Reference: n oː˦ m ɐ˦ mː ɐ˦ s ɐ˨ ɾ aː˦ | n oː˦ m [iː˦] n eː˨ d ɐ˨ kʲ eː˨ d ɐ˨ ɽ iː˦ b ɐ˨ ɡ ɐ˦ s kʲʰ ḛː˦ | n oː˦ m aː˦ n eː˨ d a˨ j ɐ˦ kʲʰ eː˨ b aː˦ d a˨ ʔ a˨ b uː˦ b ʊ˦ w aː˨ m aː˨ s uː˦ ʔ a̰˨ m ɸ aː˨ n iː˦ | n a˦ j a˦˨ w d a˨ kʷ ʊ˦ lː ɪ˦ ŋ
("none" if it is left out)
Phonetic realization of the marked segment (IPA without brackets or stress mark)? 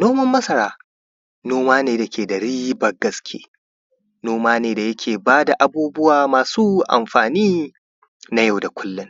aː˦